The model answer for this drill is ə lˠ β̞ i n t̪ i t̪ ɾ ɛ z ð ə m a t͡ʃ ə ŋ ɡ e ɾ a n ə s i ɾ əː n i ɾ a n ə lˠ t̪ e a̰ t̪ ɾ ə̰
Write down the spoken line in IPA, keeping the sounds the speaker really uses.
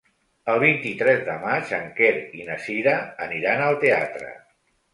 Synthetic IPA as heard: ə lˠ β̞ i n t̪ i t̪ ɾ ɛ z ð ə m a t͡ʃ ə ŋ k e ɾ i n ə s i ɾ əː n i ɾ a n ə lˠ t̪ e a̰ t̪ ɾ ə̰